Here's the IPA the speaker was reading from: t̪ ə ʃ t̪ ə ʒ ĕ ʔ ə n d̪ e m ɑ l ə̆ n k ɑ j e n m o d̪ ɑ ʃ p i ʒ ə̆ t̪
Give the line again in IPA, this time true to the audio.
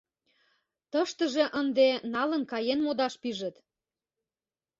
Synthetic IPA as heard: t̪ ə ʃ t̪ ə ʒ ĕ ʔ ə n d̪ e n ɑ l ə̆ n k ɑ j e n m o d̪ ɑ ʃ p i ʒ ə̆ t̪

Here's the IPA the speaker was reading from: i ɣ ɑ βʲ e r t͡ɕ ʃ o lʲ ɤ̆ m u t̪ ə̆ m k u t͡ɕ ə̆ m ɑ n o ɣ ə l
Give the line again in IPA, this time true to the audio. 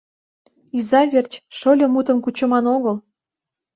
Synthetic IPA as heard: i z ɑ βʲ e r t͡ɕ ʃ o lʲ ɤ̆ m u t̪ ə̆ m k u t͡ɕ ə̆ m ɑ n o ɣ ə l

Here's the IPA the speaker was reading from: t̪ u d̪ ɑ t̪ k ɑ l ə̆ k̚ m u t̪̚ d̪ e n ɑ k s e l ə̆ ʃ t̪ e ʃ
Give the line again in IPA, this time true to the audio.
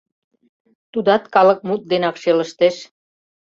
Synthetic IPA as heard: t̪ u d̪ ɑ t̪ k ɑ l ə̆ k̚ m u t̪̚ d̪ e n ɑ k ʃ e l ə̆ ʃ t̪ e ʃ

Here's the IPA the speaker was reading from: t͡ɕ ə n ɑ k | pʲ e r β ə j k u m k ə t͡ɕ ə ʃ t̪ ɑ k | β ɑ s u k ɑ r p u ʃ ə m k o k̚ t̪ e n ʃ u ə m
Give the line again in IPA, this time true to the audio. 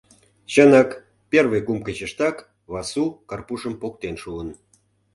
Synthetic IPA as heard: t͡ɕ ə n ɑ k | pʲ e r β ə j k u m k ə t͡ɕ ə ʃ t̪ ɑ k | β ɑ s u k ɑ r p u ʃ ə m p o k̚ t̪ e n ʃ u ə n

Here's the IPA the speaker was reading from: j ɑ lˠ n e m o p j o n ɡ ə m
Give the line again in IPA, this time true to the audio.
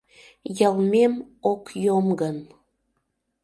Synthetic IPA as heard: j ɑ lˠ m e m o k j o m ɡ ə n

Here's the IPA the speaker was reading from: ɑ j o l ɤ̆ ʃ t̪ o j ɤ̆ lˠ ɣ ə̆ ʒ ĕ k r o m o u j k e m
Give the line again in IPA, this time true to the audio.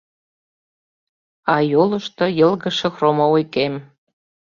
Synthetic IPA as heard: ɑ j o l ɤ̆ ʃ t̪ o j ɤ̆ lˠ ɣ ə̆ ʃ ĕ x r o m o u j k e m

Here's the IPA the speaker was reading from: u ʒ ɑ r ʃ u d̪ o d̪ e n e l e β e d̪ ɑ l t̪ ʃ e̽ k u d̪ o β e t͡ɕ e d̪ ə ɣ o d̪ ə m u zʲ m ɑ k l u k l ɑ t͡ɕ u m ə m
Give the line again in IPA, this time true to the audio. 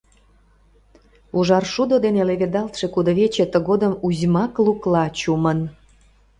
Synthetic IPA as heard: u ʒ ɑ r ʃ u d̪ o d̪ e n e l e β e d̪ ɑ l t̪ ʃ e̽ k u d̪ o β e t͡ɕ e t̪ ə ɣ o d̪ ə m u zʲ m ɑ k l u k l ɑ t͡ɕ u m ə n

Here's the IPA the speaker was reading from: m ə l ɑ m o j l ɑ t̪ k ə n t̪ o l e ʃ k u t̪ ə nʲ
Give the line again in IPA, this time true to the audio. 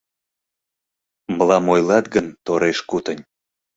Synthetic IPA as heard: m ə l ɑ m o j l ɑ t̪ ɡ ə n t̪ o ɾ e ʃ k u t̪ ə nʲ

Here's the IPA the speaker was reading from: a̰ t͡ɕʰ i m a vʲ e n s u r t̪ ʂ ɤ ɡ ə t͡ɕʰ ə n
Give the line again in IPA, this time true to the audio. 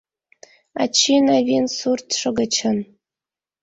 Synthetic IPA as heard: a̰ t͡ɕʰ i n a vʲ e n s u r t̪ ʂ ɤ ɡ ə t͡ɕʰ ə n

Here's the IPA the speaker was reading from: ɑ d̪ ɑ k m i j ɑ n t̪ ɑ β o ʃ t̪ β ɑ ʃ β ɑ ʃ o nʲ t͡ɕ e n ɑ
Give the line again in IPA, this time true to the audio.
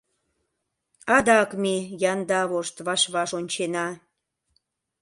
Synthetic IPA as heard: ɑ d̪ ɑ k m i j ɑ n d̪ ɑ β o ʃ t̪ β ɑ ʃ β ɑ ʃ o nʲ t͡ɕ e n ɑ

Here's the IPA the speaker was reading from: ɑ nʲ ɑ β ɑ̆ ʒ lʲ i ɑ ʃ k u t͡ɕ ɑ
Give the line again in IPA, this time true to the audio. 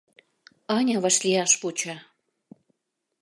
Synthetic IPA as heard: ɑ nʲ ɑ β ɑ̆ ʃ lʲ i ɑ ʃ p u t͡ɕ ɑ

